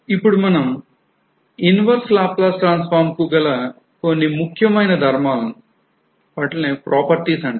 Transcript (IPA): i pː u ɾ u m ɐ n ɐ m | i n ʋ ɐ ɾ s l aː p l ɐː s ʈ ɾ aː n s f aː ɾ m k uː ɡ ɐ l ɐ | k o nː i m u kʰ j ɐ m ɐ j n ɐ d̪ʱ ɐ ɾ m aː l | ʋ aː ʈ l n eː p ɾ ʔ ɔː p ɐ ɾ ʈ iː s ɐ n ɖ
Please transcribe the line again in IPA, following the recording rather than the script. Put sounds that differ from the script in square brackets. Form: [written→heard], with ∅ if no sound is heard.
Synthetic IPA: i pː u [ɾ→ɽ] u m ɐ n ɐ m | i n ʋ ɐ ɾ s l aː p l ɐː s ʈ ɾ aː n s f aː ɾ m k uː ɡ ɐ l ɐ | k o nː i m u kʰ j ɐ m ɐ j n ɐ d̪ʱ ɐ ɾ m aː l | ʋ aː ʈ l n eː p ɾ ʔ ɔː p ɐ ɾ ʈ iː s ɐ [n→ɳ] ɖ

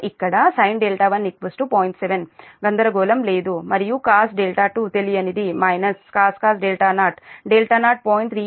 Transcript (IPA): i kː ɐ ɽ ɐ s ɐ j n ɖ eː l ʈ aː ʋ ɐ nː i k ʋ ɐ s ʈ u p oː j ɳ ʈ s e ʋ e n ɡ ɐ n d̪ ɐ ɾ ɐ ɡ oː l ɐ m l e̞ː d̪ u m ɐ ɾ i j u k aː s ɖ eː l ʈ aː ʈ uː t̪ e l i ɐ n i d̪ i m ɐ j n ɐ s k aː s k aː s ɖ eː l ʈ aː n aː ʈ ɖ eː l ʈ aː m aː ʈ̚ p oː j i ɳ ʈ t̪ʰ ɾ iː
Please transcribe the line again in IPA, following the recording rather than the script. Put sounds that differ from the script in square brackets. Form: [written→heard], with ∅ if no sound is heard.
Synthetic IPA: i kː ɐ ɽ ɐ s ɐ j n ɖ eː l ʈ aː ʋ ɐ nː i k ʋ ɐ s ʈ u p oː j ɳ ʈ s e ʋ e n ɡ ɐ n d̪ ɐ ɾ ɐ ɡ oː l ɐ m l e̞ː d̪ u m ɐ ɾ i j u k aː s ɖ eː l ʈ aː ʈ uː t̪ e l i ɐ n i d̪ i m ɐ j n ɐ s k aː s k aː s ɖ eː l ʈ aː n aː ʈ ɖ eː l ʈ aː [m→n] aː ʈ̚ p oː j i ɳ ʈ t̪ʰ ɾ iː

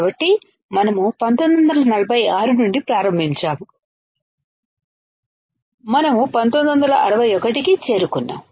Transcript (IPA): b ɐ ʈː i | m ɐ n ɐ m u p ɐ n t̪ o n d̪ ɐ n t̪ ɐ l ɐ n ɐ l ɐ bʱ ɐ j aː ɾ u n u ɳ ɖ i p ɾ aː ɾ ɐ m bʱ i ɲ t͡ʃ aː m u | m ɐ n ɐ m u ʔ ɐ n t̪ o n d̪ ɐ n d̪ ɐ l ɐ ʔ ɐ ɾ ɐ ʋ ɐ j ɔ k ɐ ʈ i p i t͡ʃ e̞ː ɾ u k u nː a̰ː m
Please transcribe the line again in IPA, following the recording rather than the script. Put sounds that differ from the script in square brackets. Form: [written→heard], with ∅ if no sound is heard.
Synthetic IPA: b ɐ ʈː i | m ɐ n ɐ m u p ɐ n t̪ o n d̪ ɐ n [t̪→d̪] ɐ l ɐ n ɐ l ɐ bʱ ɐ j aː ɾ u n u ɳ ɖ i p ɾ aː ɾ ɐ m bʱ i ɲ t͡ʃ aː m u | m ɐ n ɐ m u [ʔ→p] ɐ n t̪ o n d̪ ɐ n d̪ ɐ l ɐ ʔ ɐ ɾ ɐ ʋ ɐ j ɔ k ɐ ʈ i [p→k] i t͡ʃ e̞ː ɾ u k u nː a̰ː m

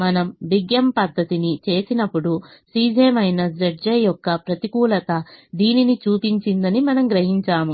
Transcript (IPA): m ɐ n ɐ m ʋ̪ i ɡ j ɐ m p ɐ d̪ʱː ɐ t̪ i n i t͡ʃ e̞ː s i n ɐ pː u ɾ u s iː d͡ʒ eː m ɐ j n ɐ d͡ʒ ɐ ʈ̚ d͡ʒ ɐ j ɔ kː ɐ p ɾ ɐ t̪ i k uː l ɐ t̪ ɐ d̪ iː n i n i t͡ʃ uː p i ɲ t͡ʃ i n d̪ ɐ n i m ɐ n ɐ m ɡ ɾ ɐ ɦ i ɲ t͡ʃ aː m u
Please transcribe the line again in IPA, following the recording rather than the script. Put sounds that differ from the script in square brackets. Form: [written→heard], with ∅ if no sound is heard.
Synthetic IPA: m ɐ n ɐ m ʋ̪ i ɡ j ɐ m p ɐ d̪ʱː ɐ t̪ i n i t͡ʃ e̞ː s i n ɐ pː u [ɾ→ɽ] u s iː d͡ʒ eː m ɐ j n ɐ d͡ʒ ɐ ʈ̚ d͡ʒ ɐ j ɔ kː ɐ p ɾ ɐ t̪ i k uː l ɐ t̪ ɐ d̪ iː n i n i t͡ʃ uː p i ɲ t͡ʃ i n d̪ ɐ n i m ɐ n ɐ m ɡ ɾ ɐ ɦ i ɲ t͡ʃ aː m u

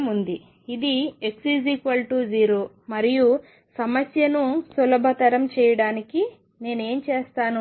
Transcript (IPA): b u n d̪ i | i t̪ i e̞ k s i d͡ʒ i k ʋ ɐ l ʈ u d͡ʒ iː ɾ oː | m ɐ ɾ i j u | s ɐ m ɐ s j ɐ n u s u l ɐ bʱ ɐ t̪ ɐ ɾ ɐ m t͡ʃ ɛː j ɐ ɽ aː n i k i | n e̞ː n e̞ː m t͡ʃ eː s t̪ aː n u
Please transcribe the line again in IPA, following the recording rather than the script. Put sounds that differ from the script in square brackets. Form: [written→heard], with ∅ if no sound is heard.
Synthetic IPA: [b→m] u n d̪ i | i [t̪→d̪] i e̞ k s i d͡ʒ i k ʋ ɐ l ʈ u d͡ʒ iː ɾ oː | m ɐ ɾ i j u | s ɐ m ɐ s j ɐ n u s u l ɐ bʱ ɐ t̪ ɐ ɾ ɐ m t͡ʃ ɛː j ɐ ɽ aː n i k i | n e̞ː n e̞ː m t͡ʃ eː s t̪ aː n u

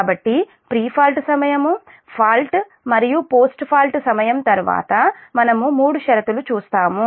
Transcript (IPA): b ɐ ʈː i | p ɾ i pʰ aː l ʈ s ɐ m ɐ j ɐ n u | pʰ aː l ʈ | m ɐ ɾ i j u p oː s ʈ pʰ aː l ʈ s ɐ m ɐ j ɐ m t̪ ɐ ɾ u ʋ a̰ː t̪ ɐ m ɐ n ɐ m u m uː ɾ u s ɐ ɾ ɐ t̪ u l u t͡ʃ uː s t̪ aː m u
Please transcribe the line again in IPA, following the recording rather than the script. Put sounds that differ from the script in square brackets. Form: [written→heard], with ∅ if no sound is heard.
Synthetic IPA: b ɐ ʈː i | p ɾ [i→iː] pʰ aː l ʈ s ɐ m ɐ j ɐ [n→m] u | pʰ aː l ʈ | m ɐ ɾ i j u p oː s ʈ pʰ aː l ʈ s ɐ m ɐ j ɐ m t̪ ɐ ɾ u ʋ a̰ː t̪ ɐ m ɐ n ɐ m u m uː [ɾ→ɽ] u [s→ʃ] ɐ ɾ ɐ t̪ u l u t͡ʃ uː s t̪ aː m u

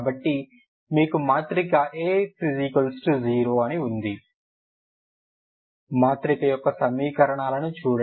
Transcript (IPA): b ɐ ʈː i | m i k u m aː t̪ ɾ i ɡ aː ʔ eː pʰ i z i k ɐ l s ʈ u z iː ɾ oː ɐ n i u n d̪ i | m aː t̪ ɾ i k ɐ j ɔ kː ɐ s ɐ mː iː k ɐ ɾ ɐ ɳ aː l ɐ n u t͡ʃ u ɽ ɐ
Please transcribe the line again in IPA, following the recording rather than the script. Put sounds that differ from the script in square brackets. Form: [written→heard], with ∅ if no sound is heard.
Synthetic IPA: b ɐ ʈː i | m [i→iː] k u m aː t̪ ɾ i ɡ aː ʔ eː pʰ i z i k ɐ l s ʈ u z iː ɾ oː ɐ n i u n d̪ i | m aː t̪ ɾ i k ɐ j ɔ kː ɐ s ɐ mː iː k ɐ ɾ ɐ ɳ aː l ɐ n u t͡ʃ [u→uː] ɽ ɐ

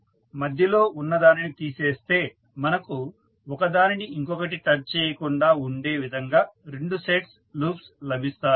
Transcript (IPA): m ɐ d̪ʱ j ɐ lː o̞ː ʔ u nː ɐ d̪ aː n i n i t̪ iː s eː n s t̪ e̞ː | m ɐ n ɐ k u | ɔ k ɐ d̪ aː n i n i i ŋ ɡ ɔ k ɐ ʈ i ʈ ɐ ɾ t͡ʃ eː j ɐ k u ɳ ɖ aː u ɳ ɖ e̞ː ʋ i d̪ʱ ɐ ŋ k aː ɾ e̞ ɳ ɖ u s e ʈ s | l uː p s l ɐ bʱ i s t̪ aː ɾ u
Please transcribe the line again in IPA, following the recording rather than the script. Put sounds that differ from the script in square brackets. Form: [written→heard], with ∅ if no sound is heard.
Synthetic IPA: m ɐ d̪ʱ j ɐ [lː→l] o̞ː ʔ u nː ɐ d̪ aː n i n i t̪ iː s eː [n→∅] s t̪ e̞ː | m ɐ n ɐ k u | ɔ k ɐ d̪ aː n i n i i ŋ [ɡ→k] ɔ k ɐ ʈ i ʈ ɐ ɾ t͡ʃ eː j ɐ k u ɳ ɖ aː u ɳ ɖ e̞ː ʋ i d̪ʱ ɐ ŋ [k→ɡ] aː ɾ e̞ ɳ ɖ u s e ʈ s | l uː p s l ɐ bʱ i s t̪ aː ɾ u

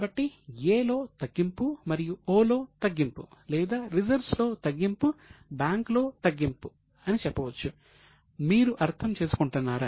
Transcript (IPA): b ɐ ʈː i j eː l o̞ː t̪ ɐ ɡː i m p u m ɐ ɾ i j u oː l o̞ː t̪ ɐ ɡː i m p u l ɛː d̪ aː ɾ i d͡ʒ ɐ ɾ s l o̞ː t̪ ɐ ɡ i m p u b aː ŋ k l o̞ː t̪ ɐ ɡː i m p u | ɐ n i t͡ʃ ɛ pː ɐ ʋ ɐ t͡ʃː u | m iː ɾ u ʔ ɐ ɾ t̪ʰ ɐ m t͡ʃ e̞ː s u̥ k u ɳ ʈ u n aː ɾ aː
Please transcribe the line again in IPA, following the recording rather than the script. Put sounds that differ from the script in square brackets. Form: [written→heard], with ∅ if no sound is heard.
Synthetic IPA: b ɐ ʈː i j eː l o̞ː t̪ ɐ ɡː i m p u m ɐ ɾ i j u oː l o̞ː t̪ ɐ ɡː i m p u l ɛː d̪ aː ɾ i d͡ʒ ɐ ɾ s l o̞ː t̪ ɐ [ɡ→ɡː] i m p u b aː ŋ k l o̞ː t̪ ɐ ɡː i m p u | ɐ n i t͡ʃ ɛ pː ɐ ʋ ɐ t͡ʃː u | m iː ɾ u ʔ ɐ ɾ t̪ʰ ɐ m t͡ʃ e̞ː s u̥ k u ɳ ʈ u [n→nː] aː ɾ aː

